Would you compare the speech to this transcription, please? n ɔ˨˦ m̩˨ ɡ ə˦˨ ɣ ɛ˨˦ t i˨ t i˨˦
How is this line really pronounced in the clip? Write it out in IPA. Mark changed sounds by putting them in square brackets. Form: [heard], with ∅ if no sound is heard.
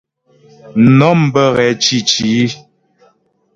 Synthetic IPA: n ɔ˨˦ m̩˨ [b] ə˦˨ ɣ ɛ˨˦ [t͡ʃ] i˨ [t͡ʃ] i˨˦